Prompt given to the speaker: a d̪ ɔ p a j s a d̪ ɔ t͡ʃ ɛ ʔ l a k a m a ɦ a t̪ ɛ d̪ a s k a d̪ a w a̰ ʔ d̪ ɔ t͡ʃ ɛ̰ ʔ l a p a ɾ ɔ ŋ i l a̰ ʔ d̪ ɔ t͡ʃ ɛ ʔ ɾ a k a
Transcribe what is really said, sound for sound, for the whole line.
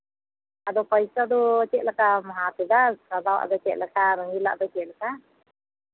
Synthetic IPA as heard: a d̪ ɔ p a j s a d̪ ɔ t͡ʃ ɛ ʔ l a k a m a ɦ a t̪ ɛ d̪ a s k a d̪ a w a̰ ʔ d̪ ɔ t͡ʃ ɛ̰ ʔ l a k a ɾ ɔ ŋ i l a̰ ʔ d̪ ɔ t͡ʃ ɛ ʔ l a k a